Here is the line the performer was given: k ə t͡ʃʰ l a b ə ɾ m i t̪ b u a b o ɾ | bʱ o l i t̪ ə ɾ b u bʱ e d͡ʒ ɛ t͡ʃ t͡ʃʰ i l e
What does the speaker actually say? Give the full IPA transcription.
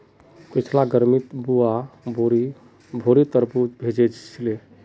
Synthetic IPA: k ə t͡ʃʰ l a ɡ ə ɾ m i t̪ b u a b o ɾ | bʱ o ɾ i t̪ ə ɾ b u bʱ e d͡ʒ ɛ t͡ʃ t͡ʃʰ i l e